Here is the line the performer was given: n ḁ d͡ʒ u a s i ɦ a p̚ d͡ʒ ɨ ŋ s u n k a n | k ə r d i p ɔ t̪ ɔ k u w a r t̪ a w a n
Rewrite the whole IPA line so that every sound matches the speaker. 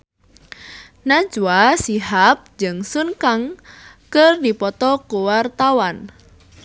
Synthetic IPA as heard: n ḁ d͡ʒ u a s i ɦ a p̚ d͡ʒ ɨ ŋ s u n k a ŋ | k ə r d i p ɔ t̪ ɔ k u w a r t̪ a w a n